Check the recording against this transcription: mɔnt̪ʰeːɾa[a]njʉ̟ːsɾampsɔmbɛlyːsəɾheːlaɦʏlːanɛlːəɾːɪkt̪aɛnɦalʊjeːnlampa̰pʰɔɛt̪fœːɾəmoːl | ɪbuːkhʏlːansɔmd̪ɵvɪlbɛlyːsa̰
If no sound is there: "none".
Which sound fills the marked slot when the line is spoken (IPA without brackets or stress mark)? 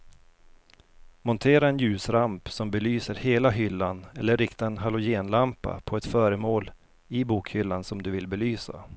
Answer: ɛ